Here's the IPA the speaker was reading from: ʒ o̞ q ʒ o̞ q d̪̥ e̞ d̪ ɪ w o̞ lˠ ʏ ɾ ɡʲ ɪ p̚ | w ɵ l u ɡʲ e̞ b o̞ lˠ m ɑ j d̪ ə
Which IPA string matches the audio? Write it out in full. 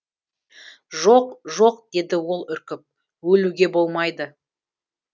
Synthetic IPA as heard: ʒ o̞ q ʒ o̞ q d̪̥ e̞ d̪ ɪ w o̞ lˠ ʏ ɾ kʲ ɪ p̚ | w ɵ l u ɡʲ e̞ b o̞ lˠ m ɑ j d̪ ə